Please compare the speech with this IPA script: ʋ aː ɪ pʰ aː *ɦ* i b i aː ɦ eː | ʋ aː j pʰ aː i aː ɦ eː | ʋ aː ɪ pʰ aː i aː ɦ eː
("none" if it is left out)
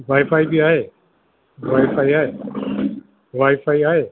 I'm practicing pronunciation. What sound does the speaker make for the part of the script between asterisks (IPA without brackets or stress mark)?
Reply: none